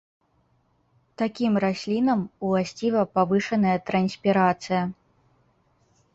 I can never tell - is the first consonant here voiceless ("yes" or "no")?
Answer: yes